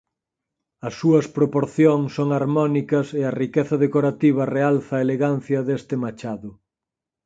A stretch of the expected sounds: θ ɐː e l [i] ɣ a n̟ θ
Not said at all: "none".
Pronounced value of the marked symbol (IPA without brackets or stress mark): e